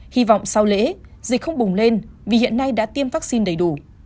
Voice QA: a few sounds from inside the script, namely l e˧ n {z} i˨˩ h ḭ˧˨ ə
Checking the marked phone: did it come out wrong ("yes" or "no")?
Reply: yes